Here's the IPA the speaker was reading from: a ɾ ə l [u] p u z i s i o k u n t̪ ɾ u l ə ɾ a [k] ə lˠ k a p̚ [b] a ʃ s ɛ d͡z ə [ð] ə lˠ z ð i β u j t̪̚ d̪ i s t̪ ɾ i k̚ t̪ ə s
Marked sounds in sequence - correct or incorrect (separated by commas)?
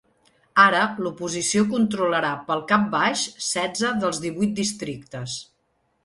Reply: correct, incorrect, correct, correct